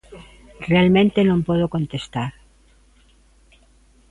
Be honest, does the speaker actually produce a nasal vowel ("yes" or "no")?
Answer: yes